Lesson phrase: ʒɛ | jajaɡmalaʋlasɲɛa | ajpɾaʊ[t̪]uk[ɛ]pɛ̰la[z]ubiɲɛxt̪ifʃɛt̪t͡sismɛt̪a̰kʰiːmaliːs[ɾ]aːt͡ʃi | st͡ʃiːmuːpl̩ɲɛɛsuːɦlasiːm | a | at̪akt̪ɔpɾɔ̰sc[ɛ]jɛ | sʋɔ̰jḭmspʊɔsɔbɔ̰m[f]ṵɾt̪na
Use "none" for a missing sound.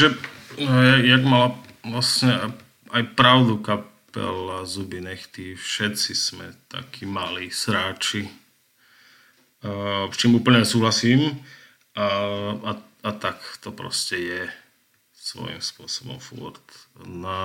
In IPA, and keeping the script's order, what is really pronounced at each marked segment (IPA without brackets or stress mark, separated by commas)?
d̪, a, z, ɾ, ɛ, f